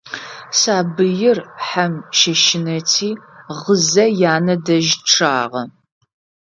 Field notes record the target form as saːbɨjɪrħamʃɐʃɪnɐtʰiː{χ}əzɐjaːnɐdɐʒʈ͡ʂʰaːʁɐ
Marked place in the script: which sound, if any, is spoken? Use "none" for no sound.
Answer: ʁ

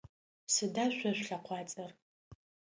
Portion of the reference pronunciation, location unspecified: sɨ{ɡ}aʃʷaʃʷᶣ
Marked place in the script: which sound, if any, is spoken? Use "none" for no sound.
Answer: d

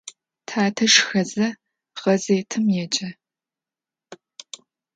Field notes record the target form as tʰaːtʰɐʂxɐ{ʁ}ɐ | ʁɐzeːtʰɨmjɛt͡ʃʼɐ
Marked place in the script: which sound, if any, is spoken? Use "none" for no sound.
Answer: z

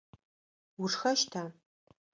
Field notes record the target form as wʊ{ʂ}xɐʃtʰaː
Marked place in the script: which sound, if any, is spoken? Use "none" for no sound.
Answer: ʂ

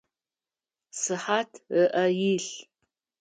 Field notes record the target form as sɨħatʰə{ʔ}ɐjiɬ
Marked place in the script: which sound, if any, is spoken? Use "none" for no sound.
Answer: ʔ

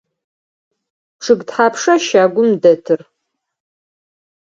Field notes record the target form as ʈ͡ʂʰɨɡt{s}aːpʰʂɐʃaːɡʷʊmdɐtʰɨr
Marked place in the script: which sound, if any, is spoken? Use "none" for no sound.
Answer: ħ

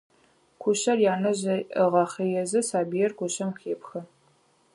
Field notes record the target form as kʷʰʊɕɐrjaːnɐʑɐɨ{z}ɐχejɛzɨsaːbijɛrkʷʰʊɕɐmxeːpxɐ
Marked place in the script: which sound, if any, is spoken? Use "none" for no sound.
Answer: ʁ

